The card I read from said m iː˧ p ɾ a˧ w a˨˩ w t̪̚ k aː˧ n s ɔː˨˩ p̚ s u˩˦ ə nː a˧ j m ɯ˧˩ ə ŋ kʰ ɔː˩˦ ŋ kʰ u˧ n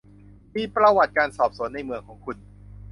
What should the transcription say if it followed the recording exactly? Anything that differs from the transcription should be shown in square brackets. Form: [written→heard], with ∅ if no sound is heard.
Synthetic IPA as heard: m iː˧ p ɾ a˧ w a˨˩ [w→∅] t̪̚ k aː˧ n s ɔː˨˩ p̚ s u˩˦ ə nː a˧ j m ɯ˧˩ ə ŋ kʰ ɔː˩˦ ŋ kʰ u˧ n